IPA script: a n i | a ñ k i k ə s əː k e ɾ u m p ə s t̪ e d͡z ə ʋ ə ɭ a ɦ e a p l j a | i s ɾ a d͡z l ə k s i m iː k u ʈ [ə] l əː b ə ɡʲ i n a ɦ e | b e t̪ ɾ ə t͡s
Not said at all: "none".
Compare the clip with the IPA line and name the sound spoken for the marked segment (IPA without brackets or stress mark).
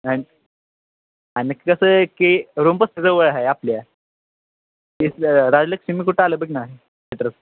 a